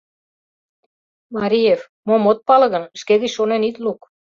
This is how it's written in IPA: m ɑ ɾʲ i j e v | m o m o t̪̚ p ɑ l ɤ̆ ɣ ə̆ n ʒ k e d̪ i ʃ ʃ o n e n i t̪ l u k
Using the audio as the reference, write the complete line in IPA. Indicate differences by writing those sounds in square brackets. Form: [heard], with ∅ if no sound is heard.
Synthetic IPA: m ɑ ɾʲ i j e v | m o m o t̪̚ p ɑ l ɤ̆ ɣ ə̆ n [ʃ] k e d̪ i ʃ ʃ o n e n i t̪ l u k